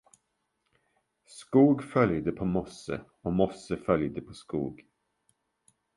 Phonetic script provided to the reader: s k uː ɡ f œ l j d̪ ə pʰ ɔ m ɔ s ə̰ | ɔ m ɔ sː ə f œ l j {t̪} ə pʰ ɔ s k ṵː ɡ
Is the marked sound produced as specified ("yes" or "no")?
no